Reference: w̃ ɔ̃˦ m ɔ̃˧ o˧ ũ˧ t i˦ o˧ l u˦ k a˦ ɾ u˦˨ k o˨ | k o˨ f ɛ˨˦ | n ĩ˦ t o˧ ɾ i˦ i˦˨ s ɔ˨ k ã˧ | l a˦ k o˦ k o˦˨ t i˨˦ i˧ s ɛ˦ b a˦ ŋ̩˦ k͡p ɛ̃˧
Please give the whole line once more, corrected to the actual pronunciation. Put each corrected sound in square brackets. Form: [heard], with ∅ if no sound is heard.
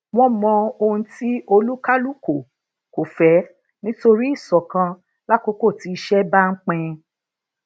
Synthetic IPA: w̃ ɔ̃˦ m ɔ̃˧ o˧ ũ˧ t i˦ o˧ l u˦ k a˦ [l] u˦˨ k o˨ | k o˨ f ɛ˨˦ | n ĩ˦ t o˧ ɾ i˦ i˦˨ s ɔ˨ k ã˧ | l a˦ k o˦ k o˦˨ t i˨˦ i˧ [ʃ] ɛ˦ b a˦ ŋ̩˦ k͡p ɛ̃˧